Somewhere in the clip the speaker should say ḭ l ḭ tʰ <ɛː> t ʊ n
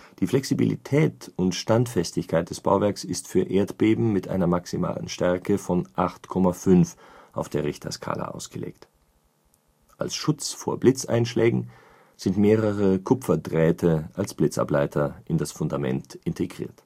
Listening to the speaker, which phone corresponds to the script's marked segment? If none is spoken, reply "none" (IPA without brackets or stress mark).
ɛː